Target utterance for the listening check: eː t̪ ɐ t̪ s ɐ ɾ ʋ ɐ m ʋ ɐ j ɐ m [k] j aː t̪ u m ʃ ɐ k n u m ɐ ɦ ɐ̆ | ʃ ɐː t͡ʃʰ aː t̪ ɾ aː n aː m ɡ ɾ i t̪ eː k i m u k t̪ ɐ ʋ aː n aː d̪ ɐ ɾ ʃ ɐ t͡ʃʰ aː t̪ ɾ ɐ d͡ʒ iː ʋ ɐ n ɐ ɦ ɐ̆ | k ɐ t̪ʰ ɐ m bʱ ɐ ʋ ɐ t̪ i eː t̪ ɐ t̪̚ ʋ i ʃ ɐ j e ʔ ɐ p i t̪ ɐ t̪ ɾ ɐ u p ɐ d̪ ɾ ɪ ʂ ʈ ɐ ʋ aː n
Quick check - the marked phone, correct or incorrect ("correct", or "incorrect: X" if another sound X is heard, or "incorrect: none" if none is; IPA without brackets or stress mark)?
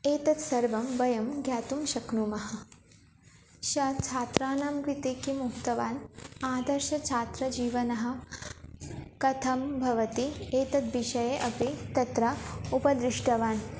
incorrect: ɡ